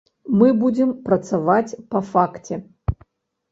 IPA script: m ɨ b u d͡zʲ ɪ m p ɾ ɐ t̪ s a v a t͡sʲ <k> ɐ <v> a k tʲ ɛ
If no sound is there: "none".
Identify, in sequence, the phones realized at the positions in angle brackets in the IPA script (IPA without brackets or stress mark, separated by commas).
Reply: p, f